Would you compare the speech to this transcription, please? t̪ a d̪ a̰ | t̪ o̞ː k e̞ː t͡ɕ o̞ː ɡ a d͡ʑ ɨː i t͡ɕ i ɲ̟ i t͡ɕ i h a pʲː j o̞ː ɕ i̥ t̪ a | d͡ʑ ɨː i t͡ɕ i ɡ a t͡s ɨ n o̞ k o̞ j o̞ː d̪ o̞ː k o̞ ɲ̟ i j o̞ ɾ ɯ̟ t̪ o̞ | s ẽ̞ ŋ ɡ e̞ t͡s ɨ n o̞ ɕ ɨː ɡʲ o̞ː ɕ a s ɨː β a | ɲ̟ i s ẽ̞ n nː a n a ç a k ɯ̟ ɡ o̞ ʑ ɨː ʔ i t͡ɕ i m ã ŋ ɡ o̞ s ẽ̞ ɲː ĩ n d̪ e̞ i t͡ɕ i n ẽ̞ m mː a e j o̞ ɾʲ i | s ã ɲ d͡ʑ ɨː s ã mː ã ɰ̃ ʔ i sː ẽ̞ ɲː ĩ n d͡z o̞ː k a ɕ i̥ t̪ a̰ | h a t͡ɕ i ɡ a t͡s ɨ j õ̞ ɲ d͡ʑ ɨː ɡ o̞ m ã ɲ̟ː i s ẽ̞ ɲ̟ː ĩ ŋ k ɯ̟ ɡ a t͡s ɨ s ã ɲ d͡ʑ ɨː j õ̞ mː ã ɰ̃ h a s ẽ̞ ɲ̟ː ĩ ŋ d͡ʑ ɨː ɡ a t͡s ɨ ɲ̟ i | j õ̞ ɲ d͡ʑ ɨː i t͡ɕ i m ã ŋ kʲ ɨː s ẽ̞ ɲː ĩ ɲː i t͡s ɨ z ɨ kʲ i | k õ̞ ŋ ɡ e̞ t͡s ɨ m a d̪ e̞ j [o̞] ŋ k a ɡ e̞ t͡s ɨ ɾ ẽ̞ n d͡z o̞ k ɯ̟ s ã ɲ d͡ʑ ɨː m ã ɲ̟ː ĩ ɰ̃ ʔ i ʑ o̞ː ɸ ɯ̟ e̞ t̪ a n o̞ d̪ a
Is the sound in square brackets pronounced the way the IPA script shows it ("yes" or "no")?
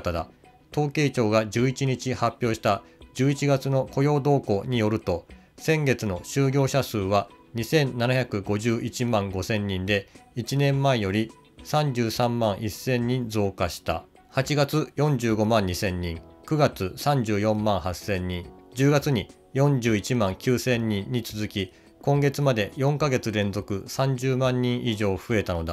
no